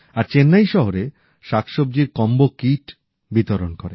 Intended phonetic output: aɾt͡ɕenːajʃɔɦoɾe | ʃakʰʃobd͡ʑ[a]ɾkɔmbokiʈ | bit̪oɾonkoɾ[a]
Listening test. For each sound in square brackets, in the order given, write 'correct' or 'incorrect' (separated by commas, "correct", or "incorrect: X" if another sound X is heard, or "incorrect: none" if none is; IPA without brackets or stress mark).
incorrect: i, incorrect: e